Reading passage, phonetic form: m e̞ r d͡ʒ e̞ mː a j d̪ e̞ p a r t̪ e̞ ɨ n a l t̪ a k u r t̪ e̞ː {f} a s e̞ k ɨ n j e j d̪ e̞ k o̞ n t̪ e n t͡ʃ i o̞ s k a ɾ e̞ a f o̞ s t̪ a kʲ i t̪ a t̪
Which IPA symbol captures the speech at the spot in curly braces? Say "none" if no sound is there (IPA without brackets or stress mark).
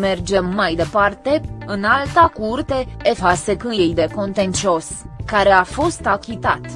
f